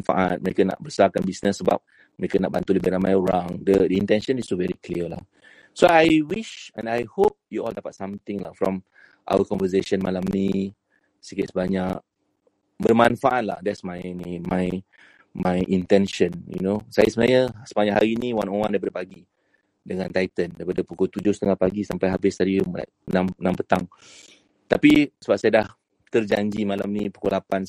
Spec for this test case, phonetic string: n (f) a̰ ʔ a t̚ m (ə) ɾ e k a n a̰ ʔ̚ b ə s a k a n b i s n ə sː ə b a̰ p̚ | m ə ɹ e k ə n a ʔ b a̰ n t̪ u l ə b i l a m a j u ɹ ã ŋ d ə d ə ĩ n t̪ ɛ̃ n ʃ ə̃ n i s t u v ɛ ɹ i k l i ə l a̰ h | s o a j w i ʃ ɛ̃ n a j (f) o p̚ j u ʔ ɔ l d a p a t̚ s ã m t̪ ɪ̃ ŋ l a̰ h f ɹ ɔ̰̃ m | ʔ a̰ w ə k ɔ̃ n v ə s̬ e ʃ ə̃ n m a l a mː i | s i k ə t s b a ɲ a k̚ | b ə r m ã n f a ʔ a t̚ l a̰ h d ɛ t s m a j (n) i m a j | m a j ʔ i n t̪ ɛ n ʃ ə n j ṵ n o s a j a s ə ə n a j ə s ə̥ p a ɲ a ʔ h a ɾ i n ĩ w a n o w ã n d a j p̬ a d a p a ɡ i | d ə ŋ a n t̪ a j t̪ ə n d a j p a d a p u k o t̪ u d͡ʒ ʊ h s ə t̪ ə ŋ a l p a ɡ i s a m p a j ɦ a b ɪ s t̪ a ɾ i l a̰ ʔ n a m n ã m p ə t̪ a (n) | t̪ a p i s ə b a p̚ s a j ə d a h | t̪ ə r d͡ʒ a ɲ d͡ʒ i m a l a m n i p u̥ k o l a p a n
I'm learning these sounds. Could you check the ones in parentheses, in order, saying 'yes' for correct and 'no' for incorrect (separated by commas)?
yes, yes, no, yes, no